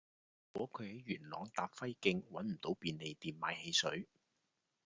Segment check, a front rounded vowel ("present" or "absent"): present